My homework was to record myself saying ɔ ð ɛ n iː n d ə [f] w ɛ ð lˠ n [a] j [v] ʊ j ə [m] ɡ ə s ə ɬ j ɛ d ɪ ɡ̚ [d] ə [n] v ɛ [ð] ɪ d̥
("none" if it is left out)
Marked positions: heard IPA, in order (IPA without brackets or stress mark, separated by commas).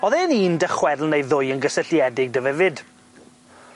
χ, e, ð, n, d, none, v